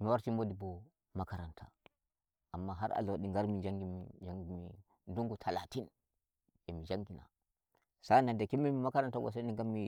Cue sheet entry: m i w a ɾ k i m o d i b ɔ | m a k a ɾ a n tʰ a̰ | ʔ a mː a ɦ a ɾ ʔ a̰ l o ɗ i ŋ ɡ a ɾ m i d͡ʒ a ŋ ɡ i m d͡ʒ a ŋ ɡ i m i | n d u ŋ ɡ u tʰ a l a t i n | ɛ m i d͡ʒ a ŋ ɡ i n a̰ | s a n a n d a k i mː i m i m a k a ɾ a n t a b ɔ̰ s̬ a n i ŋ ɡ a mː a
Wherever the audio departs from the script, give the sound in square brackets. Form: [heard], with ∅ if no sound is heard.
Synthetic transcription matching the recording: m i w a ɾ [t] i m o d i b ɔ | m a k a ɾ a n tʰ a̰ | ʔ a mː a ɦ a ɾ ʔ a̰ l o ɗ i ŋ ɡ a ɾ m i d͡ʒ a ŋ ɡ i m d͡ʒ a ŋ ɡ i m i | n d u ŋ ɡ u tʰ a l a t i n | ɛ m i d͡ʒ a ŋ ɡ i n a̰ | s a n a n d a k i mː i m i m a k a ɾ a n t a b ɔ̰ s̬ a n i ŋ ɡ a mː [i]